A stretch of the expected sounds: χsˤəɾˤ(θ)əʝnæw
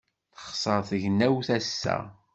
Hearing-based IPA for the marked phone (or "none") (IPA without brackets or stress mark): θ